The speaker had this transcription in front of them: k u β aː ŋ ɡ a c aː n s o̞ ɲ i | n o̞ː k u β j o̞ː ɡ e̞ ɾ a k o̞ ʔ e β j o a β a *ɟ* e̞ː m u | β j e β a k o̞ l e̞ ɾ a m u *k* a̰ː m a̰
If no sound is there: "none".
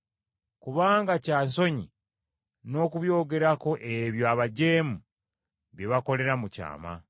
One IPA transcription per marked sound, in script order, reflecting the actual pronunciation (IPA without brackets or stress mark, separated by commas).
ɟ, c